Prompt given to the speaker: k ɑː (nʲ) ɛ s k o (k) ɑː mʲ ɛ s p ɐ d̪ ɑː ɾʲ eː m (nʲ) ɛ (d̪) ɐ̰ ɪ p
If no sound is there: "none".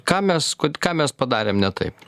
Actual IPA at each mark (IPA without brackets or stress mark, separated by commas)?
mʲ, k, nʲ, t̪